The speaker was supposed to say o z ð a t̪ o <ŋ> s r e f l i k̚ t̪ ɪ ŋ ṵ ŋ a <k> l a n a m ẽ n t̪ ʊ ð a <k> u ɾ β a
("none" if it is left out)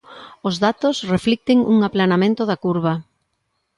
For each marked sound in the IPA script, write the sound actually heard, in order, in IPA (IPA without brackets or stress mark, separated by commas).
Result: none, p, k